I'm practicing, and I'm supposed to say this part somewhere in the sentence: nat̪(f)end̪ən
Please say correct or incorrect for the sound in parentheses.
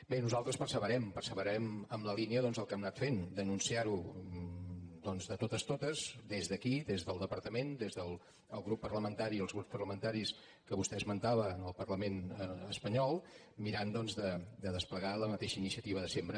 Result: correct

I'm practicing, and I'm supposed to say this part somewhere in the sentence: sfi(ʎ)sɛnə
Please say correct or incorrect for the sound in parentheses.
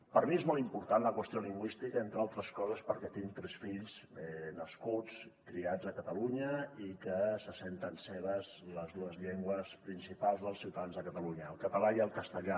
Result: correct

